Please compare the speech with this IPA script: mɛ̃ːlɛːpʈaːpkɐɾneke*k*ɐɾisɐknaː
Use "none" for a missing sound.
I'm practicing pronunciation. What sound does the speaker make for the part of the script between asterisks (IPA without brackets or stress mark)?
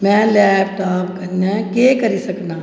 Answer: k